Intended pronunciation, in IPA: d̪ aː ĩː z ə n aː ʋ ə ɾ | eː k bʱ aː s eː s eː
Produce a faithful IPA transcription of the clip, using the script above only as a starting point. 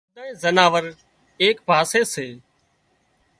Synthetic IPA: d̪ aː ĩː z ə n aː ʋ ə ɾ | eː k bʱ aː s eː s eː